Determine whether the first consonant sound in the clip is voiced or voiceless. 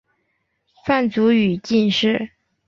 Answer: voiceless